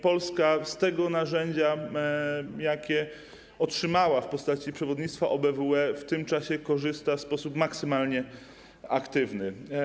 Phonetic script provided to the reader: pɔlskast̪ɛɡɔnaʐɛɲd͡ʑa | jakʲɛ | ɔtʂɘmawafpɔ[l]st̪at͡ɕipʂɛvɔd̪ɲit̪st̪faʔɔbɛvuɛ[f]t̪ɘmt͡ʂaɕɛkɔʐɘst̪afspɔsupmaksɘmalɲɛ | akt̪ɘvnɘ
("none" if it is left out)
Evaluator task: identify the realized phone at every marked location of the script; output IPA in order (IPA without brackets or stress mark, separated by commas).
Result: none, f